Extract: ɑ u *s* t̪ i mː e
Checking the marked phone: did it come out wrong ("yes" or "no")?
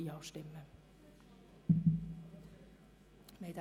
no